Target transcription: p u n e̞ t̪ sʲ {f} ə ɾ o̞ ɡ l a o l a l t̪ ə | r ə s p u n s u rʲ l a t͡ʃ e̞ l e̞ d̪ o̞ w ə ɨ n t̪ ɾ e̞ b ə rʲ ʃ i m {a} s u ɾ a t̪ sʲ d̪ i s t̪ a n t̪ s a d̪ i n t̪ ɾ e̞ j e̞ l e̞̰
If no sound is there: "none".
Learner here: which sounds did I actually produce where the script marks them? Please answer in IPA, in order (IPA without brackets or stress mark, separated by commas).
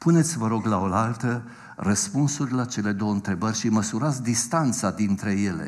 v, ə